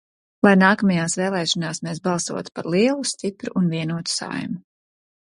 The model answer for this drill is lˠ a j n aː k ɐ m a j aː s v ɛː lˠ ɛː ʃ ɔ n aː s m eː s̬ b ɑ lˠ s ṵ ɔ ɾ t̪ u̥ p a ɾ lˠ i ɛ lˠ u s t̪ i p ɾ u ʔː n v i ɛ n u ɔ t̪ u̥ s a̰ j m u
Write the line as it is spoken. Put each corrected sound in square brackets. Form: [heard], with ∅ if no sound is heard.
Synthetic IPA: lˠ a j n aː k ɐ m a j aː s v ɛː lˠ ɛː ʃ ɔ n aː s m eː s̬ b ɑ lˠ s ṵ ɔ [∅] t̪ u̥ p a ɾ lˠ i ɛ lˠ u s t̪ i p ɾ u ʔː n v i ɛ n u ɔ t̪ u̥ s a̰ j m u